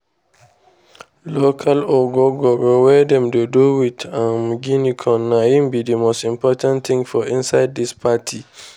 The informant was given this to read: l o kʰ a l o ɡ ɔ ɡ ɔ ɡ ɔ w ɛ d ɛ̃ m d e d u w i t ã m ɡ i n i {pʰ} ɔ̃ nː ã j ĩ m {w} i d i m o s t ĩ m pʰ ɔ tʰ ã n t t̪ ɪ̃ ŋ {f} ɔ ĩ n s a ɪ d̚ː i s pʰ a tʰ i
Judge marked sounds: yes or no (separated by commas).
no, no, yes